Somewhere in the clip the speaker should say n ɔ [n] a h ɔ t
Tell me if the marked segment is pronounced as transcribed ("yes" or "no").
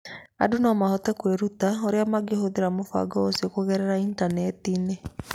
no